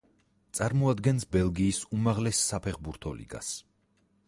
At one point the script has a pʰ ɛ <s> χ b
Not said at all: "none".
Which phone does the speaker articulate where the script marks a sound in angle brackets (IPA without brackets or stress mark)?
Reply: none